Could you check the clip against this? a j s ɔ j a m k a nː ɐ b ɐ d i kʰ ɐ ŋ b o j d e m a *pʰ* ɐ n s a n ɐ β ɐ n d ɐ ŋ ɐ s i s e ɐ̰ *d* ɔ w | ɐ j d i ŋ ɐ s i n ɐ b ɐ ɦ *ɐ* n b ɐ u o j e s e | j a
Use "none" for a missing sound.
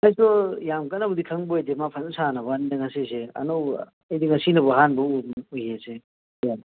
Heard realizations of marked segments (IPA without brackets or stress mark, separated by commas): pʰ, n, a